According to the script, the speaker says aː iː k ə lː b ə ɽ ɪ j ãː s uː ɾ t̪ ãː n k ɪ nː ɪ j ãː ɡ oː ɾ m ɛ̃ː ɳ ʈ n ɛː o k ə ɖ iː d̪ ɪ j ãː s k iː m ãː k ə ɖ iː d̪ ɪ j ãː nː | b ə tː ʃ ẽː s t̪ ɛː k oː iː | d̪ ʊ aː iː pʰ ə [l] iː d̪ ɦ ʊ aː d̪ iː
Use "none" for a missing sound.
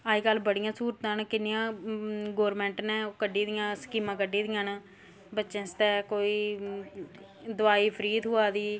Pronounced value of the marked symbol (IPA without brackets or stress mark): ɾ